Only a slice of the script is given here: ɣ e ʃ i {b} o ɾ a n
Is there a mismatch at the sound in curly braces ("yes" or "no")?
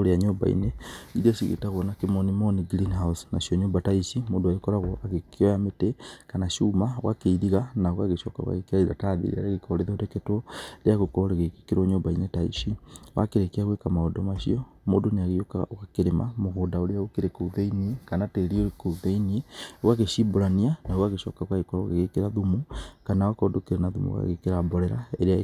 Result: no